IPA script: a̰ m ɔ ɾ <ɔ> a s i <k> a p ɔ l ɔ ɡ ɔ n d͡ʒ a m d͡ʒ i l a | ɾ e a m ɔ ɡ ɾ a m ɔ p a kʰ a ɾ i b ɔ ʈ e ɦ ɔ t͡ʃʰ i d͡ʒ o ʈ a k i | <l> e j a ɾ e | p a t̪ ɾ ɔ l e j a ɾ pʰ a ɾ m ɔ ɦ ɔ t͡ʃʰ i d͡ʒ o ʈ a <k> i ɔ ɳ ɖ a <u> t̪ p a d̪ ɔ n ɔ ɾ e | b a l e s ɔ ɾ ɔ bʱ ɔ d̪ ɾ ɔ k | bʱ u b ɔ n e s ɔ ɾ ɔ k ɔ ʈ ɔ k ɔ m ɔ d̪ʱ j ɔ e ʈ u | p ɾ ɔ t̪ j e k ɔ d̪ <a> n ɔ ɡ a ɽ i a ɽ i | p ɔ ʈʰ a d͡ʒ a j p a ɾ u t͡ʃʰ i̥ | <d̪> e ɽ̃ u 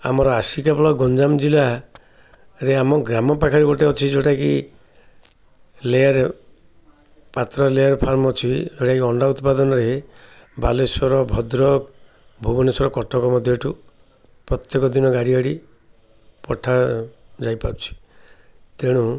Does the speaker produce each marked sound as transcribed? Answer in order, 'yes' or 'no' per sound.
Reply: yes, yes, yes, yes, yes, no, no

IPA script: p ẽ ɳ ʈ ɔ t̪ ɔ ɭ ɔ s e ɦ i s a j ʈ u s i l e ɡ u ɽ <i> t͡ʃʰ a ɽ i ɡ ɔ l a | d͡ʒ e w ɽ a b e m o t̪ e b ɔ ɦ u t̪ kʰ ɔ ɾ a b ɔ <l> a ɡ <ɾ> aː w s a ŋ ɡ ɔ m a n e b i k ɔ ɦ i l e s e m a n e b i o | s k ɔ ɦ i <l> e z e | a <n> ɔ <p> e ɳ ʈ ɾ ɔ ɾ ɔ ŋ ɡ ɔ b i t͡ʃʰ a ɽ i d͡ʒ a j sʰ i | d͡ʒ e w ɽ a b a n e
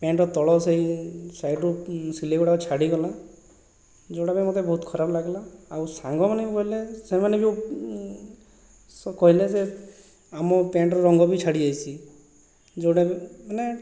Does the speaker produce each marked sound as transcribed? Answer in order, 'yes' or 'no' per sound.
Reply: no, yes, no, yes, no, yes

